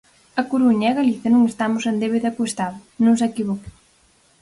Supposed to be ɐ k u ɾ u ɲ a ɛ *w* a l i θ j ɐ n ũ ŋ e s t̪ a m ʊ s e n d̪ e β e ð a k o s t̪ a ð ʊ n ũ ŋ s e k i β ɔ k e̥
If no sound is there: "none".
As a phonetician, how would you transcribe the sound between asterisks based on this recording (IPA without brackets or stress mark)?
ɣ